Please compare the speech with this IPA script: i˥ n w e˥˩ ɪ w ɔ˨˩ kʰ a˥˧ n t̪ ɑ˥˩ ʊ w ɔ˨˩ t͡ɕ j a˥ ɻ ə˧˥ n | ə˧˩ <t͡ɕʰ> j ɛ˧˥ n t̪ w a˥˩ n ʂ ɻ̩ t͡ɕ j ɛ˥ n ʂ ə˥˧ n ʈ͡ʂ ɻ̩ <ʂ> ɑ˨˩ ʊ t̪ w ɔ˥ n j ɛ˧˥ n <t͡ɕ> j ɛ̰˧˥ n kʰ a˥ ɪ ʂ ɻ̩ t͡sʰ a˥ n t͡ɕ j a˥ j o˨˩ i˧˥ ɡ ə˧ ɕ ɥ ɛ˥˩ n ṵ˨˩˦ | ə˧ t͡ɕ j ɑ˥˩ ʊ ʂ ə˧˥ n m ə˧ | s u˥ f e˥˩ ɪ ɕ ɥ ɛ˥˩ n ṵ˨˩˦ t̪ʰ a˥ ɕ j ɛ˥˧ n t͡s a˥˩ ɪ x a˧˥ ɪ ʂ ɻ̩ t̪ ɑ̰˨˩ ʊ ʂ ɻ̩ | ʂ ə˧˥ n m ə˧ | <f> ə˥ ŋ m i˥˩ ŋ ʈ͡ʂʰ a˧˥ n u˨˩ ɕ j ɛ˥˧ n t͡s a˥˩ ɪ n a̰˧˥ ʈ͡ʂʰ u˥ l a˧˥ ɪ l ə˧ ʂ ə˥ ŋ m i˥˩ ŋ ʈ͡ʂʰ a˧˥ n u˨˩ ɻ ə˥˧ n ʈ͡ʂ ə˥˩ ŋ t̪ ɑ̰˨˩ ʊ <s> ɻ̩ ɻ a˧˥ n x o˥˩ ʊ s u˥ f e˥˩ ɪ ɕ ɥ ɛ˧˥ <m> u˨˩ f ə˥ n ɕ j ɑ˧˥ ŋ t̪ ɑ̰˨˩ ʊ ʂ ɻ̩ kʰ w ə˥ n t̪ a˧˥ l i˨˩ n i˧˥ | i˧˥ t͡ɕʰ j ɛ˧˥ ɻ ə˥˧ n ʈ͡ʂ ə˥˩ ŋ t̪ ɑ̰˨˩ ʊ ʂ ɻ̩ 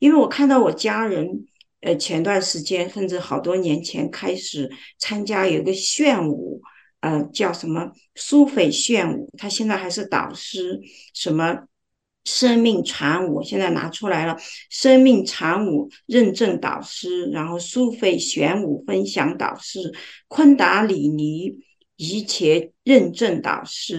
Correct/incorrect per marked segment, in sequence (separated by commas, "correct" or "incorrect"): correct, incorrect, incorrect, incorrect, incorrect, incorrect